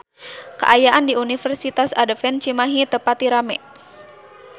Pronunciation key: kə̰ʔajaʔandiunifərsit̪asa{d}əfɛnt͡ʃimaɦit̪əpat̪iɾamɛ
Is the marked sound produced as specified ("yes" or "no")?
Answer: yes